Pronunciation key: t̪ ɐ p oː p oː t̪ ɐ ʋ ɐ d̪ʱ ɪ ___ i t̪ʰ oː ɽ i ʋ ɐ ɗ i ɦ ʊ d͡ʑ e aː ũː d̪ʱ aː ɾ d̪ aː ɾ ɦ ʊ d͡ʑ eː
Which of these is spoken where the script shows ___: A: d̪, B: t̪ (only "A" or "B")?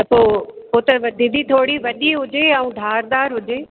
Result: A